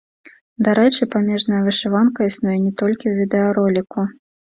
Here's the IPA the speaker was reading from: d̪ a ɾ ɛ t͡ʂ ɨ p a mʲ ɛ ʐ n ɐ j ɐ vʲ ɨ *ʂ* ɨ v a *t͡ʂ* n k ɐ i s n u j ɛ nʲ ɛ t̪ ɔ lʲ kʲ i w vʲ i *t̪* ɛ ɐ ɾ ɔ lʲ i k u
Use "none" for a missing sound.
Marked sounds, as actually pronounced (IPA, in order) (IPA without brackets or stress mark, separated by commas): ʂ, none, d̪